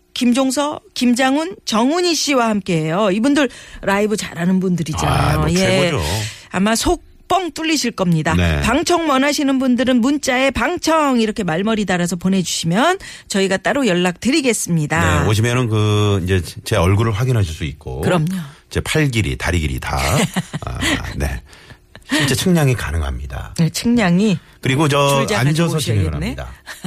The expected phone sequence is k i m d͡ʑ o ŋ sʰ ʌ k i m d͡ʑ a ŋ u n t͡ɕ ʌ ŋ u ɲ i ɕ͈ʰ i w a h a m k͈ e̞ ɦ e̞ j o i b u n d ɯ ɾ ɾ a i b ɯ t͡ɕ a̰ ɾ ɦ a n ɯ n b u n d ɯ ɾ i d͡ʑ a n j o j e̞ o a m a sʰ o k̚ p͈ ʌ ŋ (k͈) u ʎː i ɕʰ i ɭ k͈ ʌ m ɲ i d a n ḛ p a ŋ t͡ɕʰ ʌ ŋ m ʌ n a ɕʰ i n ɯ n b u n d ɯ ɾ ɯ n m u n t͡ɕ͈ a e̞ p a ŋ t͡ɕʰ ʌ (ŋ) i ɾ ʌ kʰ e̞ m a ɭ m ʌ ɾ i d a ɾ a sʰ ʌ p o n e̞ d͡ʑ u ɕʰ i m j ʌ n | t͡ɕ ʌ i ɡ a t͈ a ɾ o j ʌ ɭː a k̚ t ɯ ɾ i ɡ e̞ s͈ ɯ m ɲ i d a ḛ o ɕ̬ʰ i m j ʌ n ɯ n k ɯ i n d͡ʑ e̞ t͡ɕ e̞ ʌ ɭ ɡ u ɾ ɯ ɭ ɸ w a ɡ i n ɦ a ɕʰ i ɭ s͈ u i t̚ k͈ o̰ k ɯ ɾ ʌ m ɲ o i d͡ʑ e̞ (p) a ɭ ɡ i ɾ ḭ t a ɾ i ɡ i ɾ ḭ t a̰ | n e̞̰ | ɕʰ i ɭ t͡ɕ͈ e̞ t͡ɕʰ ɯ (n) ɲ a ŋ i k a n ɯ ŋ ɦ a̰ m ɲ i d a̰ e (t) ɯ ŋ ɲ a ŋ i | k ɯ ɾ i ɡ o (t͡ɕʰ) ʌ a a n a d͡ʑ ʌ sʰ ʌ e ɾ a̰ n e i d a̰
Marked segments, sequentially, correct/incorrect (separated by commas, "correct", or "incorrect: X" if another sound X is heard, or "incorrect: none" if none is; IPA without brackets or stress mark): incorrect: t͈, correct, incorrect: pʰ, incorrect: ŋ, incorrect: t͡ɕʰ, incorrect: t͡ɕ